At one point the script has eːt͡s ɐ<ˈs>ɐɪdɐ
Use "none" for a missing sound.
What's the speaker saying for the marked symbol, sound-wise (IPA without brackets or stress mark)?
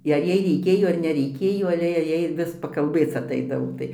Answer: t